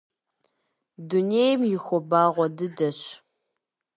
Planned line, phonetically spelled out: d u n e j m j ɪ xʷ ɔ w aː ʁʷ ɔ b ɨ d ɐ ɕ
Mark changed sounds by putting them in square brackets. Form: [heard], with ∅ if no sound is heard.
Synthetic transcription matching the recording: d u n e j m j ɪ xʷ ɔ [b] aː ʁʷ ɔ [d] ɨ d ɐ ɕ